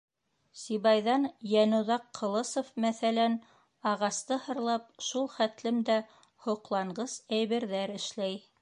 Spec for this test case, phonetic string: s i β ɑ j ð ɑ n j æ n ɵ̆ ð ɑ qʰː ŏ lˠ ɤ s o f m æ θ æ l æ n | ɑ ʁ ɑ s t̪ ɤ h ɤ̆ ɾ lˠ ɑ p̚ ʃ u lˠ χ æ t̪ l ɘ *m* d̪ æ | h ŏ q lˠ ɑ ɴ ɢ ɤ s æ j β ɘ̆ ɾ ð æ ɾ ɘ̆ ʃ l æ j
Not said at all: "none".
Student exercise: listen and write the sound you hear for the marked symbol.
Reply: m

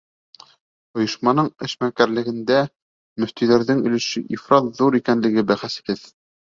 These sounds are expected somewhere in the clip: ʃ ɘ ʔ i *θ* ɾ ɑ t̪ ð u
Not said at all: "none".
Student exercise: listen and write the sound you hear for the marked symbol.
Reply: f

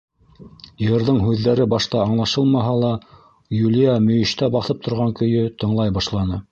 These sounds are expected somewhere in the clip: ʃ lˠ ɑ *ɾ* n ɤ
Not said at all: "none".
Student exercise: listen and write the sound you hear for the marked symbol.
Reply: none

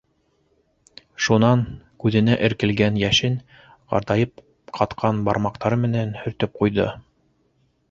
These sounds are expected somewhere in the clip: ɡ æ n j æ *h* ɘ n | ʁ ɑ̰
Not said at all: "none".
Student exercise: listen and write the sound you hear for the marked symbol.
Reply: ʃ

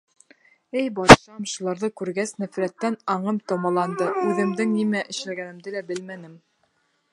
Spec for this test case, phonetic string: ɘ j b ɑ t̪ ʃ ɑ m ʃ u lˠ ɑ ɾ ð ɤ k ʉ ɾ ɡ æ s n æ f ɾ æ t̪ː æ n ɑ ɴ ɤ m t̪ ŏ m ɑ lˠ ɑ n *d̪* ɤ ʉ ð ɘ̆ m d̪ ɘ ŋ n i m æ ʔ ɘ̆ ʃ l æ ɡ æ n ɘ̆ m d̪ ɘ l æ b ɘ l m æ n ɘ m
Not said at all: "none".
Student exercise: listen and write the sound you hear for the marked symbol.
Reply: d̪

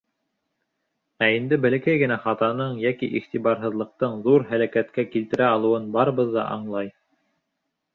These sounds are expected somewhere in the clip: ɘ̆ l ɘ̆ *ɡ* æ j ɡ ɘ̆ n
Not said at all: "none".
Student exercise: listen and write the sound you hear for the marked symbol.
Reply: k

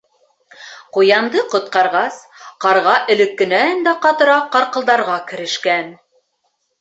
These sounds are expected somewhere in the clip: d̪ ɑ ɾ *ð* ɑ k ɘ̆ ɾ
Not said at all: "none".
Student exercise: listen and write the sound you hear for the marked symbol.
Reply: ʁ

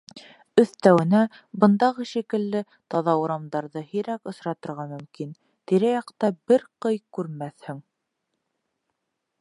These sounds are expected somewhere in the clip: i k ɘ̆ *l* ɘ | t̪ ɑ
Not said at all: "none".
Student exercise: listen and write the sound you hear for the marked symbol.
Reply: lː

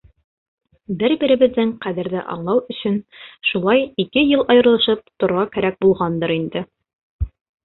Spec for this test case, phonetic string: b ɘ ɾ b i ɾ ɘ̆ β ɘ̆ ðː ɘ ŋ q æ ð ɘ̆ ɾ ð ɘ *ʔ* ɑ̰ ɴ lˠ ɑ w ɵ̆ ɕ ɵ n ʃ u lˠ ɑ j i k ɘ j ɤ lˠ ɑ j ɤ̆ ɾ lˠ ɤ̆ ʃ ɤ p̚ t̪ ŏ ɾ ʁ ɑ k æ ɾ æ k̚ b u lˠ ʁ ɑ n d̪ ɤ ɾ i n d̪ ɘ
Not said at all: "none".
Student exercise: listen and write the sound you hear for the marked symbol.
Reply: ʔ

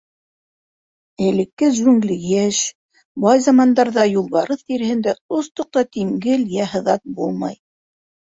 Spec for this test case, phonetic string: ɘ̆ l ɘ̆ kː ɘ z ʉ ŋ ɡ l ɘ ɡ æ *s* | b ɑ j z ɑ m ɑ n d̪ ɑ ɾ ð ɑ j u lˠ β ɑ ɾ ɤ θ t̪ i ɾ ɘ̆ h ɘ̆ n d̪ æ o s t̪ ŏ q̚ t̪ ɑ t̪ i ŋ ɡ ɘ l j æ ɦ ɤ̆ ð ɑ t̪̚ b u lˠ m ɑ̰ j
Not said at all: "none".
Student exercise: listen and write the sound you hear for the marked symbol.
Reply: ʃ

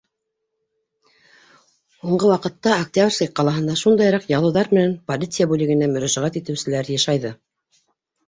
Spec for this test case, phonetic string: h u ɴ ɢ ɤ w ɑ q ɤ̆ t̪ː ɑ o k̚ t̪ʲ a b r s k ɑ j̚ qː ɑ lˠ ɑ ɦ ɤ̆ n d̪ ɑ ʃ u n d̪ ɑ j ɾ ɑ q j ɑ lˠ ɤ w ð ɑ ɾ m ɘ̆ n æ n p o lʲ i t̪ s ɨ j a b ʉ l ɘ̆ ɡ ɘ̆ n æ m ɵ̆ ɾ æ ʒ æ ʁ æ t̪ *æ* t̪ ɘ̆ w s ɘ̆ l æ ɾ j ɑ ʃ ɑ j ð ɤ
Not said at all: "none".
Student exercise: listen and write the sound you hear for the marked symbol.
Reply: i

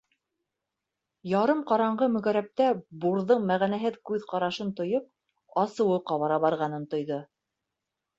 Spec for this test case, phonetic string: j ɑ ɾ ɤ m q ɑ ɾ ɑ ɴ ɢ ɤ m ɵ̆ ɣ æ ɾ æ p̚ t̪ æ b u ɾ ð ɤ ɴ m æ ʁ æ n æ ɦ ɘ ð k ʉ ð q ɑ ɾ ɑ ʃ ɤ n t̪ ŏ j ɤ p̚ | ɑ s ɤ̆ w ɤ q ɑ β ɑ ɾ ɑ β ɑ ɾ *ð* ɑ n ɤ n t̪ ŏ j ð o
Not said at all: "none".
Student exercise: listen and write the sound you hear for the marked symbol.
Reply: ʁ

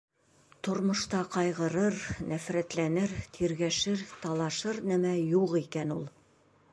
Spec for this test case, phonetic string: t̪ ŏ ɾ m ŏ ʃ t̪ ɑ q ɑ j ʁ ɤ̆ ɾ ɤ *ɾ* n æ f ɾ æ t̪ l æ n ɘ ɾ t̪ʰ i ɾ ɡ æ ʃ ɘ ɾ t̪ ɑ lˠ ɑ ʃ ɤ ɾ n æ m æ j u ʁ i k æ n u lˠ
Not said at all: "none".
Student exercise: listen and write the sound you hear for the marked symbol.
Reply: ɾ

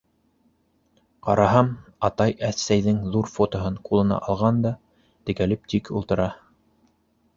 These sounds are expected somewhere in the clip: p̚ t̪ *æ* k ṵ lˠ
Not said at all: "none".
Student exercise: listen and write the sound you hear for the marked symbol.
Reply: i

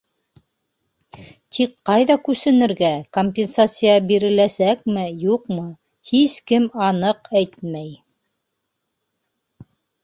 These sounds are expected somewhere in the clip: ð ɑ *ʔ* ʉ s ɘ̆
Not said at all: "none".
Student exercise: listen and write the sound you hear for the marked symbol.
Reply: k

